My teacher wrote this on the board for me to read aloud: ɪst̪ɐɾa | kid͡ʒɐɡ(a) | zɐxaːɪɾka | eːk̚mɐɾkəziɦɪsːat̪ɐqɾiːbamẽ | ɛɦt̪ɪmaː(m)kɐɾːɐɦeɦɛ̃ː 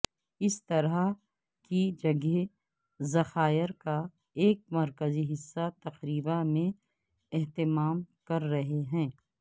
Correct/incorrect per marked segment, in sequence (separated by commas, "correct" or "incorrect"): incorrect, correct